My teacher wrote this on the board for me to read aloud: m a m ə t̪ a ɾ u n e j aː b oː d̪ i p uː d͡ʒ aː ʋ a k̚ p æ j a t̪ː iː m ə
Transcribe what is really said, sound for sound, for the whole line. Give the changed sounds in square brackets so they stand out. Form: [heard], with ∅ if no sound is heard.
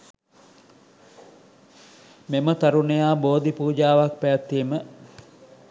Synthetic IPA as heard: m [e] m ə t̪ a ɾ u n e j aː b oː d̪ i p uː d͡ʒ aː ʋ a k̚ p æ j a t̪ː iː m ə